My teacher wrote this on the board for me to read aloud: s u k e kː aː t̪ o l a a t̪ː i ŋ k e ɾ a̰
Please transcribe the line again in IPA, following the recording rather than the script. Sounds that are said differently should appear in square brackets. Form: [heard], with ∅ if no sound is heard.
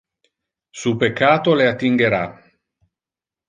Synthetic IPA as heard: s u [p] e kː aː t̪ o l [e] a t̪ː i ŋ [ɡ] e ɾ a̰